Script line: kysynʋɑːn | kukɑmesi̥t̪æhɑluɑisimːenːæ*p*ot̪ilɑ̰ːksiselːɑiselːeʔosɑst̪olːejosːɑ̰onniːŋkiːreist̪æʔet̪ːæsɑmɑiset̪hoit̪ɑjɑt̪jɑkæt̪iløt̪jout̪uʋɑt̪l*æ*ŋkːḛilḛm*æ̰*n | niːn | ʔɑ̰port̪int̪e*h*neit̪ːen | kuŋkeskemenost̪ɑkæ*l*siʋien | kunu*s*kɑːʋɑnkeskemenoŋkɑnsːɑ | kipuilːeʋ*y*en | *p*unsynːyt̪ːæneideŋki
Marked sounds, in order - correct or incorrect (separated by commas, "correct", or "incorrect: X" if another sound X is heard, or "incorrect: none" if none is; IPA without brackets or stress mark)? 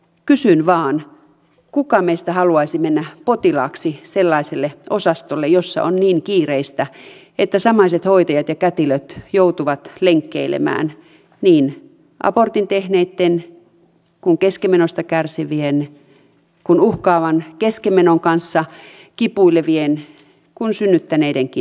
correct, incorrect: e, incorrect: æ̰ː, correct, incorrect: r, incorrect: h, incorrect: i, incorrect: k